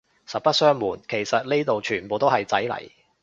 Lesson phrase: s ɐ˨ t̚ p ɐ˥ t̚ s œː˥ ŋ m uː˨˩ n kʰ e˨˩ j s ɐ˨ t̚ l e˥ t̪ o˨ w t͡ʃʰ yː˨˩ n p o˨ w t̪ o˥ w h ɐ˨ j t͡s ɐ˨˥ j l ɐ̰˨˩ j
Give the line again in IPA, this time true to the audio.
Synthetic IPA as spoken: s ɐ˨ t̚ p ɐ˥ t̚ s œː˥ ŋ m uː˨˩ n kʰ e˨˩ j s ɐ˨ t̚ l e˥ t̪ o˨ w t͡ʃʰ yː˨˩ n p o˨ w t̪ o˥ w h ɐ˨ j t͡s ɐ˨˥ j l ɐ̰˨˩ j